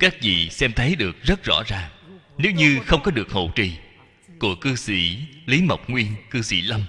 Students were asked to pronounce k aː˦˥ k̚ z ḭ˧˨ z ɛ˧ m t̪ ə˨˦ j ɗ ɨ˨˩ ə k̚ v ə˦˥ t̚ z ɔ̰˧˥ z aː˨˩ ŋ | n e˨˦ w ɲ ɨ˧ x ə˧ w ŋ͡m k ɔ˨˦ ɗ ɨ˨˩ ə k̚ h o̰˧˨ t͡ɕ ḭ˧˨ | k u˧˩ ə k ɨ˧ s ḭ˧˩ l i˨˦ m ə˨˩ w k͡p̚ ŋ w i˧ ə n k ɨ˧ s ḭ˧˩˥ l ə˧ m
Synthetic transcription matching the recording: k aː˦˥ k̚ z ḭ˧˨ s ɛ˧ m t̪ʰ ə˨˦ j ɗ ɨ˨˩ ə k̚ z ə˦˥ t̚ z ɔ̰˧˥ z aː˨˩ ŋ | n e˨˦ w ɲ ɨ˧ x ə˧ w ŋ͡m k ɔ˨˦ ɗ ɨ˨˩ ə k̚ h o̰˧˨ t͡ɕ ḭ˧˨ | k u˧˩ ə k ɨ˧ s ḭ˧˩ l i˨˦ m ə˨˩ w k͡p̚ ŋ w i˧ ə n k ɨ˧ s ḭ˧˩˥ l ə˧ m